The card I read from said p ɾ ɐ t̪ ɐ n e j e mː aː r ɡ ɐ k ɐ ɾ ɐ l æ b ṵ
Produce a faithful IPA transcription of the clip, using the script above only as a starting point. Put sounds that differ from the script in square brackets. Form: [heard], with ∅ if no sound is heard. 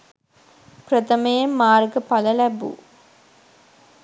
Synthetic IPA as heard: p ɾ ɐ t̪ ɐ [m] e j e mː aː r ɡ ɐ [p] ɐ [l] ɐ l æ b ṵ